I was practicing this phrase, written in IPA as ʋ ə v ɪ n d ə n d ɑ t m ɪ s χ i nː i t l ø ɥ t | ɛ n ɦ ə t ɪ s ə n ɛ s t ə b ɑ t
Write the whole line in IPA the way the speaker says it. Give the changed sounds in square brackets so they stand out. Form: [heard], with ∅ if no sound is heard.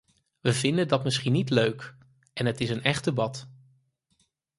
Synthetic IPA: ʋ ə v ɪ n d ə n d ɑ t m ɪ s χ i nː i t l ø ɥ [k] | ɛ n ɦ ə t ɪ s ə n ɛ [χ] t ə b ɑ t